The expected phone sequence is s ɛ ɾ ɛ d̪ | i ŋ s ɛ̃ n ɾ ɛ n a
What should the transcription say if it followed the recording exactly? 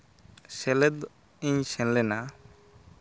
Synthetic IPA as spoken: s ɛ l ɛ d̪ | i ɲ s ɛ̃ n l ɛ n a